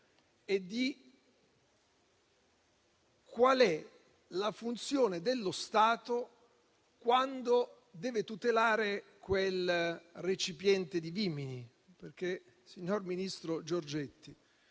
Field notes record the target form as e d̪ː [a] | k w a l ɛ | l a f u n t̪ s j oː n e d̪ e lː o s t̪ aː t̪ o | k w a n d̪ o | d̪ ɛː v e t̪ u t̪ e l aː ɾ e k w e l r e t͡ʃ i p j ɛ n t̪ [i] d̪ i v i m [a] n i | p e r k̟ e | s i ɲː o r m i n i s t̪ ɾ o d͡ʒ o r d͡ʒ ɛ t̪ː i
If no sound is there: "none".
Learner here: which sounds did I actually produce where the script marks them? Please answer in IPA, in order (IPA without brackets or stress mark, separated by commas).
i, e, i